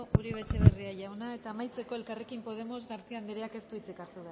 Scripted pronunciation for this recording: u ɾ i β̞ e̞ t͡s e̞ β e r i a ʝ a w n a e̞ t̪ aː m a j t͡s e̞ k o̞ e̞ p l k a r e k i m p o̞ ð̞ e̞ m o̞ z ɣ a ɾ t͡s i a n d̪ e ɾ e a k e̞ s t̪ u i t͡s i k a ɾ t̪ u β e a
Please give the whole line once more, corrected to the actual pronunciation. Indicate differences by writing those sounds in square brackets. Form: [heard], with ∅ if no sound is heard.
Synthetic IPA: u ɾ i β̞ e̞ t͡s e̞ β e r i a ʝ a w n a e̞ t̪ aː m a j t͡s e̞ k o̞ e̞ [∅] l k a r e k i m p o̞ ð̞ e̞ m o̞ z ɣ a ɾ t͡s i a n d̪ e ɾ e a k e̞ s t̪ u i t͡s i k a ɾ t̪ u β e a